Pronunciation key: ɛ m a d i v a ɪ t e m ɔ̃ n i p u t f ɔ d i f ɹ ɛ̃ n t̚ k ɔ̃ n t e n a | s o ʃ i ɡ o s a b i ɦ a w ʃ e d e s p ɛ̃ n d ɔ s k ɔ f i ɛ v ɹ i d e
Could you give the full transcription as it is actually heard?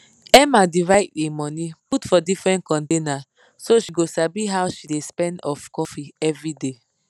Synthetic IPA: ɛ m a d i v a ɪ t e m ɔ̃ n i p u t f ɔ d i f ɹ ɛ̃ n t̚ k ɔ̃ n t e n a | s o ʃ i ɡ o s a b i ɦ a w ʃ i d e s p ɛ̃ n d ɔ f k ɔ f i ɛ v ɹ i d e